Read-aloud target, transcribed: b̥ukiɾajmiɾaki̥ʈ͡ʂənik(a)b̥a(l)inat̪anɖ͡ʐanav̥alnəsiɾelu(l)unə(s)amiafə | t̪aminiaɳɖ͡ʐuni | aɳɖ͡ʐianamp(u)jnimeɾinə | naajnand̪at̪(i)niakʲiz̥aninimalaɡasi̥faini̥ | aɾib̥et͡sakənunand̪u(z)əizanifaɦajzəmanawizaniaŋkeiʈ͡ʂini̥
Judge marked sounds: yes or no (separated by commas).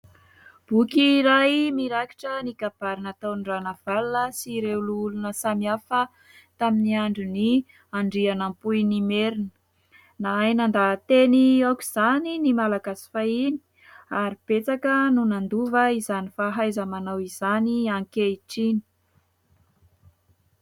yes, no, yes, yes, yes, no, no